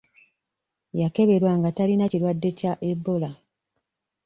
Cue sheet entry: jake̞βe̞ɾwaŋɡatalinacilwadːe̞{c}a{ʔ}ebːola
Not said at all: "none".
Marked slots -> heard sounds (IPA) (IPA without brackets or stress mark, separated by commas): c, ʔ